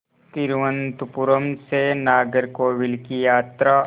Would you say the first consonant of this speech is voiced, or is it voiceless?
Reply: voiceless